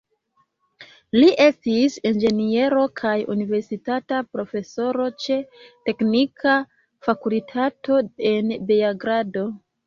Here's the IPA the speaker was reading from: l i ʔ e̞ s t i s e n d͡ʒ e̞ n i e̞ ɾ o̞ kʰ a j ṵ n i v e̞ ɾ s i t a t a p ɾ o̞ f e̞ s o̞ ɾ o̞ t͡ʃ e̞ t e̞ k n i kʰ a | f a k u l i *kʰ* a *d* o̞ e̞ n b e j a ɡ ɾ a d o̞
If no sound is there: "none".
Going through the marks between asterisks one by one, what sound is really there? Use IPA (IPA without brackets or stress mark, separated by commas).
tʰ, t